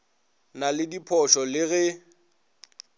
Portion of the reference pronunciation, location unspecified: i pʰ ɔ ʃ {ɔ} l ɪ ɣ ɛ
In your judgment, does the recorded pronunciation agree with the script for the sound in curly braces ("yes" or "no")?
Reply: yes